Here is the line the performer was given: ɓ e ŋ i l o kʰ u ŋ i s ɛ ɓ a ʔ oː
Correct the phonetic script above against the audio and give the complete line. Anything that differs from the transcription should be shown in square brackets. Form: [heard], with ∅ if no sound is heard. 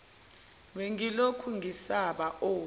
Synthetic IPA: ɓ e ŋ i l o kʰ u ŋ i s [a] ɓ a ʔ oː